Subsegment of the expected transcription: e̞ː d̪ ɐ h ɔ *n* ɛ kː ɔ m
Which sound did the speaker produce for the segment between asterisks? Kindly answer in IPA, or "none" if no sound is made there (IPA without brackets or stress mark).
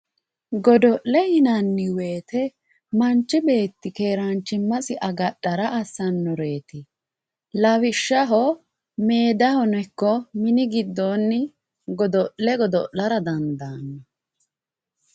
n